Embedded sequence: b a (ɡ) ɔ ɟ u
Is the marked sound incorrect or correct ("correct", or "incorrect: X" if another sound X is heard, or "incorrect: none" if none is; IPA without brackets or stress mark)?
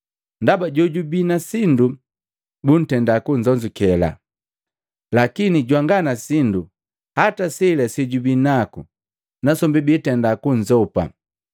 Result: incorrect: ɟ